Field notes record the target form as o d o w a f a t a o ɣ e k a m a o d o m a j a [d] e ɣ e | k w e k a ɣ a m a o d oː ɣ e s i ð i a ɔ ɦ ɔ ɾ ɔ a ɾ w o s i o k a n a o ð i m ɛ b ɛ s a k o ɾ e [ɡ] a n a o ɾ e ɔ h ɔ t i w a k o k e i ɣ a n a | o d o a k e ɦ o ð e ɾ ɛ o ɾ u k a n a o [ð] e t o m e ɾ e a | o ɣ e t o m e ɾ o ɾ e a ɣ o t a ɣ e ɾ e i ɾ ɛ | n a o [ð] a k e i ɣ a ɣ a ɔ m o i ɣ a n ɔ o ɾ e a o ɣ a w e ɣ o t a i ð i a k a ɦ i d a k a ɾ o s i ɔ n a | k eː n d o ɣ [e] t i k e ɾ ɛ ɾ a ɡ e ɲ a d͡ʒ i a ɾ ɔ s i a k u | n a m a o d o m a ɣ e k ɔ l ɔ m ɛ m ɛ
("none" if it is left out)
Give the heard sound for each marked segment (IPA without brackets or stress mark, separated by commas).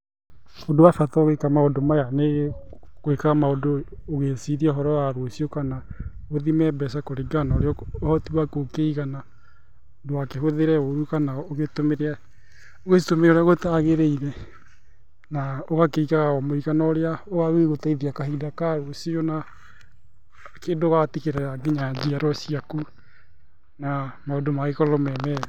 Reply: n, ɡ, ɣ, ɣ, a